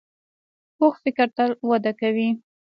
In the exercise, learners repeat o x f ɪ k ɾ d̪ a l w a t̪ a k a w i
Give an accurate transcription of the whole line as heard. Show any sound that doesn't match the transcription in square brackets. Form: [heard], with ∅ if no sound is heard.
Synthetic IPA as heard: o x f ɪ k ɾ [t̪] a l w a [d̪] a k a w i